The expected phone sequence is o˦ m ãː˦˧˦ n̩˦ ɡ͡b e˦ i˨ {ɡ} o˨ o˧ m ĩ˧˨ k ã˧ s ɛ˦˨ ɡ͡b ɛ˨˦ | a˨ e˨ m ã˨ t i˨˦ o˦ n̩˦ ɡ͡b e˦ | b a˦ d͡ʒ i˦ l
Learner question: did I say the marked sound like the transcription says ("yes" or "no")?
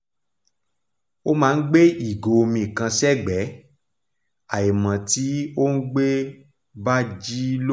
yes